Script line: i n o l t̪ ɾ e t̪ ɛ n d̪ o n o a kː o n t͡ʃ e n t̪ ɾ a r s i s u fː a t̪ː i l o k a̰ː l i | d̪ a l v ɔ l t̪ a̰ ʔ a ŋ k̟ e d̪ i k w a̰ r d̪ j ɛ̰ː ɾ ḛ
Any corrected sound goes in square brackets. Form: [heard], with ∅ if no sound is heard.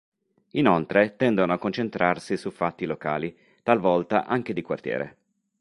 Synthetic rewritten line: i n o l t̪ ɾ e t̪ ɛ n d̪ o n o a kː o n t͡ʃ e n t̪ ɾ a r s i s u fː a t̪ː i l o k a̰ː l i | [t̪] a l v ɔ l t̪ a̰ ʔ a ŋ k̟ e d̪ i k w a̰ r [t̪] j ɛ̰ː ɾ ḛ